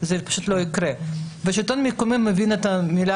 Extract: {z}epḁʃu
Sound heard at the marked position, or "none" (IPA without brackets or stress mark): z